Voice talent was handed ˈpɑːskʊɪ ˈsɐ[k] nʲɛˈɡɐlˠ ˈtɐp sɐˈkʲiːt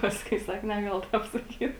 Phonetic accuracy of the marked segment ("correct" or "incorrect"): correct